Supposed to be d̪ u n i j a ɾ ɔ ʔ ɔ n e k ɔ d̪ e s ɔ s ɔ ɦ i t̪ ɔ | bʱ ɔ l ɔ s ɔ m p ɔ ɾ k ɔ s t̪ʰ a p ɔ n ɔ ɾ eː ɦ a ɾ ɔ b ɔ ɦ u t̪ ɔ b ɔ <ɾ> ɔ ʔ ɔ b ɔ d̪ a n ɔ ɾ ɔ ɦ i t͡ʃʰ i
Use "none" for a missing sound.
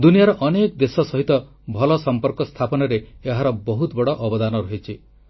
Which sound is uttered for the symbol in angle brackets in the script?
ɽ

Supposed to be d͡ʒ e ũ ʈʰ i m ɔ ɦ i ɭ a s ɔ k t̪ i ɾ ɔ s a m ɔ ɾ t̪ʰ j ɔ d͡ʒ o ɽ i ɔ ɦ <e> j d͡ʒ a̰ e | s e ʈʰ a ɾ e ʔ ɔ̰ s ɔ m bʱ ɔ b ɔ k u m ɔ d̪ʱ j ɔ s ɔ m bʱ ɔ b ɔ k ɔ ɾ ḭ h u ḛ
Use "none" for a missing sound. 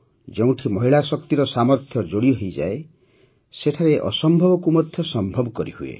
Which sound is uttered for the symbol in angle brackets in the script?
e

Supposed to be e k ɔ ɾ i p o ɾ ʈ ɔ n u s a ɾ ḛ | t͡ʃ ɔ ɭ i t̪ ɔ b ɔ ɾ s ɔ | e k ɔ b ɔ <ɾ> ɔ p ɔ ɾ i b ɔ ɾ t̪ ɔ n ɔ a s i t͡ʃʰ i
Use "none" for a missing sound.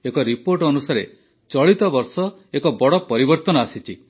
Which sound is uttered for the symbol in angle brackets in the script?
ɽ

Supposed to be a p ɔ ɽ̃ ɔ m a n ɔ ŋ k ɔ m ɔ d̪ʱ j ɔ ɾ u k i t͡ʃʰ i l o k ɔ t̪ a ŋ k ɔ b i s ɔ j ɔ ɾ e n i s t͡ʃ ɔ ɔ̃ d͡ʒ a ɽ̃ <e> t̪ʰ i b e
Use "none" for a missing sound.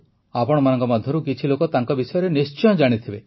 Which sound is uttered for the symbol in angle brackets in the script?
i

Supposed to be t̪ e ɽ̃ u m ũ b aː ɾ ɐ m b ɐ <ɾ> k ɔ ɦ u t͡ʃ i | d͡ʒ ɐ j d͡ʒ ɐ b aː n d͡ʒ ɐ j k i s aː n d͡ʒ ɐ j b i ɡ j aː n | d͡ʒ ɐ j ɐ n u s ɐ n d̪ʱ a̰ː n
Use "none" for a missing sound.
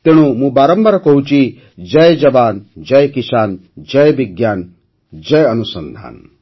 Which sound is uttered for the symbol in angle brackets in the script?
ɾ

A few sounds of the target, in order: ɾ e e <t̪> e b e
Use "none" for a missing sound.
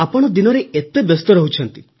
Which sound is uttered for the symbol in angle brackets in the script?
t̪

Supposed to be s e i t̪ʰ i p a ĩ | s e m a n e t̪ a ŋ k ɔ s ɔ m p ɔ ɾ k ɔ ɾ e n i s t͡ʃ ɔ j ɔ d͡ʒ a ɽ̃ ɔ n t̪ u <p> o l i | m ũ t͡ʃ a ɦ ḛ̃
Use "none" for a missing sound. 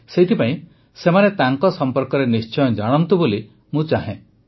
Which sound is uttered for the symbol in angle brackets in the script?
b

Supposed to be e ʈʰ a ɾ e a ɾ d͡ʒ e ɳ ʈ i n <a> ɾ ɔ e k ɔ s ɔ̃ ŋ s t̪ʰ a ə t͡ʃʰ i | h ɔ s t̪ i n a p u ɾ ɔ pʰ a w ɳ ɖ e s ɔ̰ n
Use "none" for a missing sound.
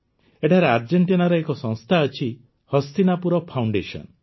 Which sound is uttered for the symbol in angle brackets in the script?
a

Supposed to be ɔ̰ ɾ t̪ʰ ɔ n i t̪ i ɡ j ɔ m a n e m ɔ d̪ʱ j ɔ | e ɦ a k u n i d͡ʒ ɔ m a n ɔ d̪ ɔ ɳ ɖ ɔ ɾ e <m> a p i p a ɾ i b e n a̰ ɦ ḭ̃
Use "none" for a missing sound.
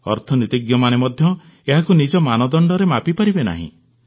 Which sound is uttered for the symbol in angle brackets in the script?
m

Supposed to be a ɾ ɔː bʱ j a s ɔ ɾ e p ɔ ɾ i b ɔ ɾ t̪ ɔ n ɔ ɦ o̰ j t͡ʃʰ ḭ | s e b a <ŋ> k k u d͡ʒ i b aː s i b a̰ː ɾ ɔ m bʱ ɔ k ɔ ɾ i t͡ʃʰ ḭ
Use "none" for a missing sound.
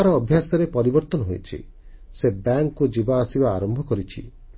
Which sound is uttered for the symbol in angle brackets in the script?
ŋ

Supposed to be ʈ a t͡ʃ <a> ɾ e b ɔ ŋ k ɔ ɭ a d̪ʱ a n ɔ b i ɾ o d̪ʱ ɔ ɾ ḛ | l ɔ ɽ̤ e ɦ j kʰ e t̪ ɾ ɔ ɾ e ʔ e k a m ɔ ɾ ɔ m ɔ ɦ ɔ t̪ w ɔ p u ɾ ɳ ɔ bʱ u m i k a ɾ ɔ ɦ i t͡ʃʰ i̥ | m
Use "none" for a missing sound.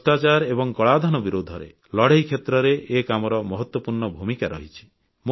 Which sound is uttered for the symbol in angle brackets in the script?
a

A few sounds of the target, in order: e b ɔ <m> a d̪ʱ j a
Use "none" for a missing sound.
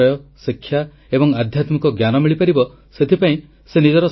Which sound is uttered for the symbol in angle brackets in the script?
ŋ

